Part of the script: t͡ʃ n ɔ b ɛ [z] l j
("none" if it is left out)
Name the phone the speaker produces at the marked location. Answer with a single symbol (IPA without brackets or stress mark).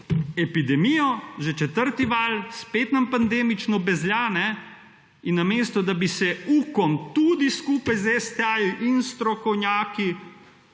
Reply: z